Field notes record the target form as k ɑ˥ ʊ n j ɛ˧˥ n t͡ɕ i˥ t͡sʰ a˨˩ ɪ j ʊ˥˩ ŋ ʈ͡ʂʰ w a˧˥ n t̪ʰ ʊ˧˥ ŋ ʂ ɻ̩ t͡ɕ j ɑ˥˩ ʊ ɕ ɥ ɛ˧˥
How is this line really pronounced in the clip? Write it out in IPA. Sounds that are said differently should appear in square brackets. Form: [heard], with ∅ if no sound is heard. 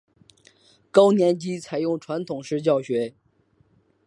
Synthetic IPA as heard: k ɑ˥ ʊ n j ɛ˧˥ n t͡ɕ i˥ t͡sʰ a˨˩ ɪ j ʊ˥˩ ŋ ʈ͡ʂʰ w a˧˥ n t̪ʰ [ʊ˨˩] ŋ ʂ ɻ̩ t͡ɕ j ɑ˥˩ ʊ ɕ ɥ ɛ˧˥